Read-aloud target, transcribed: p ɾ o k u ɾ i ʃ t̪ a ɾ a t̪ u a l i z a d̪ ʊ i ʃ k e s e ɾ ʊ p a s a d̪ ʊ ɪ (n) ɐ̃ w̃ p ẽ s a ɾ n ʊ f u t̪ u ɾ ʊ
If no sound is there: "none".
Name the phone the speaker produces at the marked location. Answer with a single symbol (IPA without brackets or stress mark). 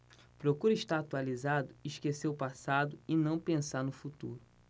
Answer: n